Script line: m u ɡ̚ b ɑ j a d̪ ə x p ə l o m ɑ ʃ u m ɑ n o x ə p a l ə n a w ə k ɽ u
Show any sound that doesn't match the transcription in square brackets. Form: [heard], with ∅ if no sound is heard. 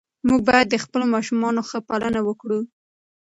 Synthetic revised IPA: m u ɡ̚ b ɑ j a [d̪ː] ə x p ə l o m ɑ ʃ u m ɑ n o x ə p a l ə n a w ə k ɽ u